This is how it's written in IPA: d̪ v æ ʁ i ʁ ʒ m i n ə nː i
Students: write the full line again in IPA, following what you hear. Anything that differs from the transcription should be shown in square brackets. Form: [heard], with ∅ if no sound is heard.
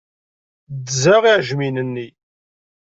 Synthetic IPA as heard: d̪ [z] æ ʁ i [ʕ] ʒ m i n ə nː i